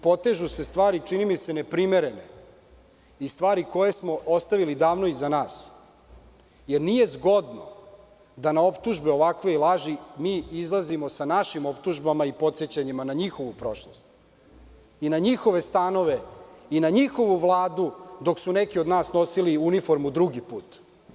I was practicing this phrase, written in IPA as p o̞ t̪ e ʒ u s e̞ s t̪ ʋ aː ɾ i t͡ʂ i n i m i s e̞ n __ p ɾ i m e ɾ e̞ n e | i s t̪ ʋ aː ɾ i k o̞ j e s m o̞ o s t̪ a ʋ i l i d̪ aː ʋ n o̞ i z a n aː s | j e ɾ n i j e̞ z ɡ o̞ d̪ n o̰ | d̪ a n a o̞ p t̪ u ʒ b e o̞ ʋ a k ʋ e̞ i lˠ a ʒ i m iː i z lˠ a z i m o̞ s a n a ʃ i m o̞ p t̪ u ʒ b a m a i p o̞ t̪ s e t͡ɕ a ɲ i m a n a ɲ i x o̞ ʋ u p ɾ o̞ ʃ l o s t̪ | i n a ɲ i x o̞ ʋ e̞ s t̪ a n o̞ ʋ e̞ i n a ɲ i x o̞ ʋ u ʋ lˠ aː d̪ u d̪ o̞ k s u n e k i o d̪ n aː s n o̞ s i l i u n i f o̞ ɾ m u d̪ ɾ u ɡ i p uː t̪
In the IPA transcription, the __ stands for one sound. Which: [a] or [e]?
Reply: e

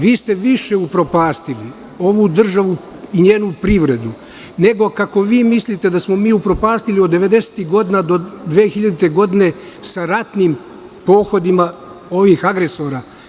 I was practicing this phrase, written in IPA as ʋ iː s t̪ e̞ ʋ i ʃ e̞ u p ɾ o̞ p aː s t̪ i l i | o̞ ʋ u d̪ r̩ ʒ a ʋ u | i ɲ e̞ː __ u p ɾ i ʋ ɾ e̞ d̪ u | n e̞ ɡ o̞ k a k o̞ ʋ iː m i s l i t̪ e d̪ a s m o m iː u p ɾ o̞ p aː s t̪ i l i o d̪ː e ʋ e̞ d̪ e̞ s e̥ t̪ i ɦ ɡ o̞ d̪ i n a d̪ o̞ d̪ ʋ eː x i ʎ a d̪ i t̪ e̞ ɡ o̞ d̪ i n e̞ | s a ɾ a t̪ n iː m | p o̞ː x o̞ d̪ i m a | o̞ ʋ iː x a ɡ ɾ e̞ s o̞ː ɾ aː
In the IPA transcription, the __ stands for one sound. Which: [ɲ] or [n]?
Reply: n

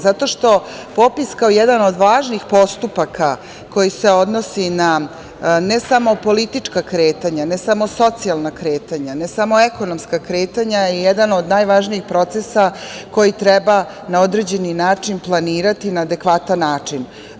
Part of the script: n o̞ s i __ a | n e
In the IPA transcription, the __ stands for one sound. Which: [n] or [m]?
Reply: n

